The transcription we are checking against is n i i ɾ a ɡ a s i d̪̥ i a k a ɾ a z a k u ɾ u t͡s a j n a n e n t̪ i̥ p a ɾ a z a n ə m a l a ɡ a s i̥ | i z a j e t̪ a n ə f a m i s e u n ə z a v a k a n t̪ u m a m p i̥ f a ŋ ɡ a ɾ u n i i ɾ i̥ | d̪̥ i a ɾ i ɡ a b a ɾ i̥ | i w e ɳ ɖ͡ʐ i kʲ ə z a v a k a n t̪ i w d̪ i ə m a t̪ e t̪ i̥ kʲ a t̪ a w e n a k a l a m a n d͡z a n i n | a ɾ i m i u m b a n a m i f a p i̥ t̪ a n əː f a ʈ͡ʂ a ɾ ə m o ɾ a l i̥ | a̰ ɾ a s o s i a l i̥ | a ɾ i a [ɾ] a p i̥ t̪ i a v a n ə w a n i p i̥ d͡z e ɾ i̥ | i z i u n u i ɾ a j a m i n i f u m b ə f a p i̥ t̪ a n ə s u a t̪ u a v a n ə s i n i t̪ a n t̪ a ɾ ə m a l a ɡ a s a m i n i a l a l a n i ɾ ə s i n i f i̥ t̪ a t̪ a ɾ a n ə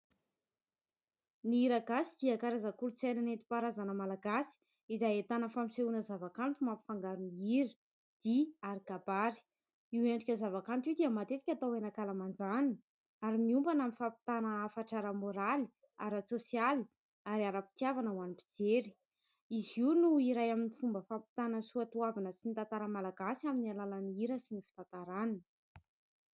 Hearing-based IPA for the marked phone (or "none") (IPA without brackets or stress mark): ɾ